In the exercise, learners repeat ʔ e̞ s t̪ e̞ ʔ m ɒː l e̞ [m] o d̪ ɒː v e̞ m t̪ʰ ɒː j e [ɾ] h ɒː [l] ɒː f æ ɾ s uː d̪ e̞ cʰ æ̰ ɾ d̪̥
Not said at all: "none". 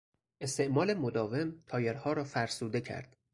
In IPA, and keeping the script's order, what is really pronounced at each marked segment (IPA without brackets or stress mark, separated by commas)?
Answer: m, ɾ, ɾ